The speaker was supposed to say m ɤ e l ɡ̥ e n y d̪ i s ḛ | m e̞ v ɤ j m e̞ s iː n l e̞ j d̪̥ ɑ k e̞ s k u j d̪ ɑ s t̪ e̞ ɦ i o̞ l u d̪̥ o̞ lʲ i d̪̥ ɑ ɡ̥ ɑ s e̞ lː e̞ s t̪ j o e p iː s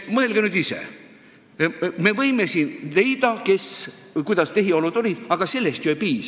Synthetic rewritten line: m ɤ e l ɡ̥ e n y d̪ i s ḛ | m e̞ v ɤ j m e̞ s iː n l e̞ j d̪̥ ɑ k e̞ s k u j d̪ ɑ s t̪ e̞ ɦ i o̞ l u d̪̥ o̞ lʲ i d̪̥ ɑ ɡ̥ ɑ s e̞ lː e̞ s t̪ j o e p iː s